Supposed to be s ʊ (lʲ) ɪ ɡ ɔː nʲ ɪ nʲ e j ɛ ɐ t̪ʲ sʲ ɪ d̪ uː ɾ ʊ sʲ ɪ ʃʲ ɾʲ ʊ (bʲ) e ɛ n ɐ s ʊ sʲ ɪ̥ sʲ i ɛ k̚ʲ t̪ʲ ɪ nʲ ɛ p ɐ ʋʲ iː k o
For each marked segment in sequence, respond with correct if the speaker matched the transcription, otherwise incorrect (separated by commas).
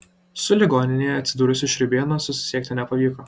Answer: correct, correct